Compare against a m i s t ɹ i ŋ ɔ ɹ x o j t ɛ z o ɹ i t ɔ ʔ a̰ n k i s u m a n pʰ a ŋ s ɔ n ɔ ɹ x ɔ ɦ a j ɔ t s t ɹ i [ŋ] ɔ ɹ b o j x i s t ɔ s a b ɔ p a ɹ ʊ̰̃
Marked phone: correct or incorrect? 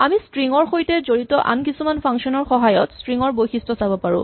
correct